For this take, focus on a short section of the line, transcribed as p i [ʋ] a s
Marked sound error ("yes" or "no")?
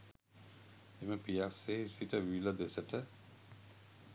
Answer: yes